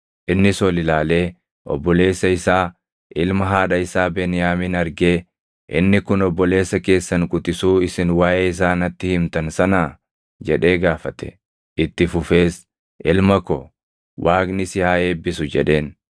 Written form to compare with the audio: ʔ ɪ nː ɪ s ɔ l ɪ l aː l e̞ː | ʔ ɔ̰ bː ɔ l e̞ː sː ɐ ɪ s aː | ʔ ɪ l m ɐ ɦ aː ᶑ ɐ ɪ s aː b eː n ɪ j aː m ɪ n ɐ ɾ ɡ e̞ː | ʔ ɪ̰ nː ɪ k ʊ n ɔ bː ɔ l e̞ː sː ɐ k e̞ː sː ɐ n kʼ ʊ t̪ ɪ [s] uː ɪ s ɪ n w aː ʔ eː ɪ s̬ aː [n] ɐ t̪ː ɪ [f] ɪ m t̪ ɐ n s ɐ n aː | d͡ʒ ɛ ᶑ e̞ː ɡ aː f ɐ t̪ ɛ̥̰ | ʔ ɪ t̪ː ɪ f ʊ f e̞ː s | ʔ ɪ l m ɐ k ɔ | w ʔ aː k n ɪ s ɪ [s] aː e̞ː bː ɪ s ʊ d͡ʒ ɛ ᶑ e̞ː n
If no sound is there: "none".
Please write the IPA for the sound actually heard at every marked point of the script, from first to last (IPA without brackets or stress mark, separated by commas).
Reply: s, n, h, h